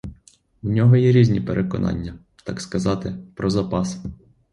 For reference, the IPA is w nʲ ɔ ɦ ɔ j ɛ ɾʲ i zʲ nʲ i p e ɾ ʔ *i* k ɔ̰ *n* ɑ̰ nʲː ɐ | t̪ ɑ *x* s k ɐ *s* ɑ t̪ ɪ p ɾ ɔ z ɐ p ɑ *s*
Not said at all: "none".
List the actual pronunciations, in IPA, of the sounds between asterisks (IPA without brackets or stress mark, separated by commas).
e, n, k, z, s